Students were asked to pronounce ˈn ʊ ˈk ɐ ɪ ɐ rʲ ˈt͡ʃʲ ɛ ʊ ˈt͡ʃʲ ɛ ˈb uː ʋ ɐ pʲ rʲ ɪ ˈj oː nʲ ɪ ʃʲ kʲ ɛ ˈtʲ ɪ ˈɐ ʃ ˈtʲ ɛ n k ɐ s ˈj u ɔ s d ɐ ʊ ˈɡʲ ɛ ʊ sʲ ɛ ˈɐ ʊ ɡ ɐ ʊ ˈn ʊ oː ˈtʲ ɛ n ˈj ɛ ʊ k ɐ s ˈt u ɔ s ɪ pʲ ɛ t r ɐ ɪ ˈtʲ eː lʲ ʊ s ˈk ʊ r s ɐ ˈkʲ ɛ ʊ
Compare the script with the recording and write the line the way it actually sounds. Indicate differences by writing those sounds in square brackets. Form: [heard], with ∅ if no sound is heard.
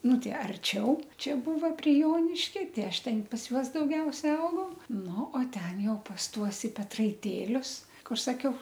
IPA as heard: ˈn ʊ [ˈt] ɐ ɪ ɐ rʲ ˈt͡ʃʲ ɛ ʊ ˈt͡ʃʲ ɛ ˈb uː ʋ ɐ pʲ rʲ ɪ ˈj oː nʲ ɪ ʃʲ kʲ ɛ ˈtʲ ɪ ˈɐ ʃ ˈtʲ ɛ n [p] ɐ s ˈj u ɔ s d ɐ ʊ ˈɡʲ ɛ ʊ sʲ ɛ ˈɐ ʊ ɡ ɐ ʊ ˈn ʊ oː ˈtʲ ɛ n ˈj ɛ ʊ [p] ɐ s ˈt u ɔ s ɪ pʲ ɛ t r ɐ ɪ ˈtʲ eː lʲ ʊ s ˈk ʊ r s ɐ ˈkʲ ɛ ʊ

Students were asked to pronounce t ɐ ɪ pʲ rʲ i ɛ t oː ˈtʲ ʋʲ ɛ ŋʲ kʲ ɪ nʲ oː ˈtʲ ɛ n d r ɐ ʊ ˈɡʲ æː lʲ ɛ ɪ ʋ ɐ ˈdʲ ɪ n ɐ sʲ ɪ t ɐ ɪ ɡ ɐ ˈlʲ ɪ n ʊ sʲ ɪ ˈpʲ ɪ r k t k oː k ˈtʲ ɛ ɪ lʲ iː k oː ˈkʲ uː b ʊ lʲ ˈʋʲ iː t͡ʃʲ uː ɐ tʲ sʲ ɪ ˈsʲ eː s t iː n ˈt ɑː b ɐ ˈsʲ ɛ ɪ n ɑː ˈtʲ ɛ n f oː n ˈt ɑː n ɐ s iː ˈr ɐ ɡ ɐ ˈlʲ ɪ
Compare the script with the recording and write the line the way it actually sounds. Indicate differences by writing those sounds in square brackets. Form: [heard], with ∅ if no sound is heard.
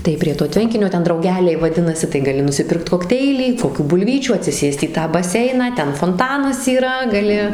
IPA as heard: t ɐ ɪ pʲ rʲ i ɛ t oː ˈtʲ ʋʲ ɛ ŋʲ kʲ ɪ nʲ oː ˈtʲ ɛ n d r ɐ ʊ ˈɡʲ æː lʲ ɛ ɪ ʋ ɐ ˈdʲ ɪ n ɐ sʲ ɪ t ɐ ɪ ɡ ɐ ˈlʲ ɪ n ʊ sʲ ɪ ˈpʲ ɪ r k t k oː k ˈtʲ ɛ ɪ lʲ iː k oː ˈkʲ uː b ʊ lʲ ˈʋʲ iː t͡ʃʲ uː ɐ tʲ sʲ ɪ ˈsʲ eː s t iː [∅] ˈt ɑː b ɐ ˈsʲ ɛ ɪ n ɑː ˈtʲ ɛ n f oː n ˈt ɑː n ɐ s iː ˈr ɐ ɡ ɐ ˈlʲ ɪ

